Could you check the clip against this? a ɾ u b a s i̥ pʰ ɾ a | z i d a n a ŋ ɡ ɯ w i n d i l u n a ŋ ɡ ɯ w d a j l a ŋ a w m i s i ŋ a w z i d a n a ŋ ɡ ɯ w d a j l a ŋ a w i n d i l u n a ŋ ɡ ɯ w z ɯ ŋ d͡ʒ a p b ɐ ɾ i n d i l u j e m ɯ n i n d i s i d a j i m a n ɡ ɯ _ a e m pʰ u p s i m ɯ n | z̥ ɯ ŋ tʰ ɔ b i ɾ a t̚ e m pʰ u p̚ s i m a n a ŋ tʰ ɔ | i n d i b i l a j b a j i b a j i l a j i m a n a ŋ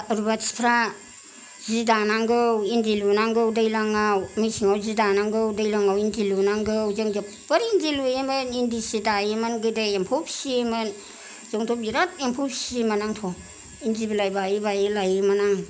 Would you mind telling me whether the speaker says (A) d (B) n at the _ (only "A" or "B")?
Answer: A